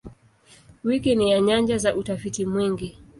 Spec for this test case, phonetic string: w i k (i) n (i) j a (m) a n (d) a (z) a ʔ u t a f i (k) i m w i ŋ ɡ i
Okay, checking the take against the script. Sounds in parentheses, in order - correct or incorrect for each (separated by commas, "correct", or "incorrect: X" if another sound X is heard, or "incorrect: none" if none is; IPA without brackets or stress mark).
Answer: correct, correct, incorrect: ɲ, incorrect: d͡ʒ, correct, incorrect: t